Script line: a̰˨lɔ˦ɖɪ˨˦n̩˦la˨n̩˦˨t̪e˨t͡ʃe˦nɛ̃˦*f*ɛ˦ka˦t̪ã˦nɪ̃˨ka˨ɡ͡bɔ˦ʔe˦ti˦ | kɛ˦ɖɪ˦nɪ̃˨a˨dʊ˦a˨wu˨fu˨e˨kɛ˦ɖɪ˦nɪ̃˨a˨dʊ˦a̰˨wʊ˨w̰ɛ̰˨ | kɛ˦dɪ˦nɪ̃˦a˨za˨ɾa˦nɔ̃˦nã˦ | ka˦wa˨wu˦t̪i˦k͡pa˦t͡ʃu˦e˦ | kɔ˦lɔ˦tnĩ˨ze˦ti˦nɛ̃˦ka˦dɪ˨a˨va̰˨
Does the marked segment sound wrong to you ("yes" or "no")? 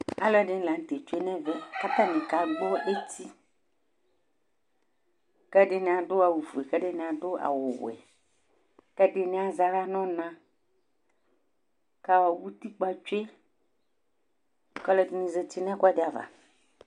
yes